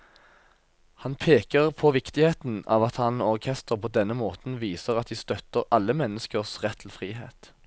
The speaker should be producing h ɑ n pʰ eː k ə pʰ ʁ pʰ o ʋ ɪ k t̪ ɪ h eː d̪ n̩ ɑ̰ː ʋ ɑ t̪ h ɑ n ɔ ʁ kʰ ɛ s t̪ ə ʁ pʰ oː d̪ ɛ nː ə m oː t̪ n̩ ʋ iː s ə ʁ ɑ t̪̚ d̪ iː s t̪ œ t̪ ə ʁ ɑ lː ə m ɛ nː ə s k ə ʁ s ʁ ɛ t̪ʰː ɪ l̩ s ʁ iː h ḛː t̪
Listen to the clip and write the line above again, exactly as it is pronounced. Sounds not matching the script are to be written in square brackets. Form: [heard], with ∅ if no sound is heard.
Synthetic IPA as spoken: h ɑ n pʰ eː k ə [∅] ʁ pʰ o ʋ ɪ k t̪ ɪ h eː [t̪] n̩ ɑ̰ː ʋ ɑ t̪ h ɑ n ɔ ʁ kʰ ɛ s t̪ ə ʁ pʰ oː d̪ ɛ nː ə m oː t̪ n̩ ʋ iː s ə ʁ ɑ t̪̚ d̪ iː s t̪ œ t̪ ə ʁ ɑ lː ə m ɛ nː ə s k ə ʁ s ʁ ɛ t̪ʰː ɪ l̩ [f] ʁ iː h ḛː t̪